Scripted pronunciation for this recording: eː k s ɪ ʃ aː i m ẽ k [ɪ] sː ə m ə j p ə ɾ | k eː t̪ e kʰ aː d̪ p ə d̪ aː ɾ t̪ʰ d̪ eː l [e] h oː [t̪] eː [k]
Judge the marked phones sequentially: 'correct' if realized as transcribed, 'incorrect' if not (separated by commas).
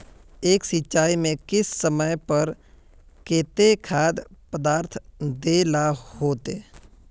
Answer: correct, incorrect, correct, incorrect